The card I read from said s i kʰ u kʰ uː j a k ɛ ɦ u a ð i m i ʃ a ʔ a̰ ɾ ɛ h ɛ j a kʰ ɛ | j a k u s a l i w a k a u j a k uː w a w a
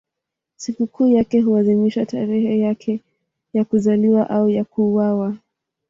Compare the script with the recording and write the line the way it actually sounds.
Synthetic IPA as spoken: s i k u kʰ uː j a k ɛ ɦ u a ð i m i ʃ a t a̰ ɾ ɛ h ɛ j a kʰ ɛ | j a k u z a l i w a ʔ a u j a k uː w a w a